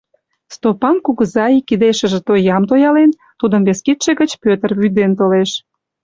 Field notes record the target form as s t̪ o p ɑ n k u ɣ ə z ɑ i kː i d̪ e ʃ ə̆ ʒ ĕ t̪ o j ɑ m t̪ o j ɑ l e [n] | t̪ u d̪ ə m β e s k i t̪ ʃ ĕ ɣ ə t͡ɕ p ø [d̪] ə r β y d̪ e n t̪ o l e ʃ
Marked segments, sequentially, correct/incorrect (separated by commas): correct, incorrect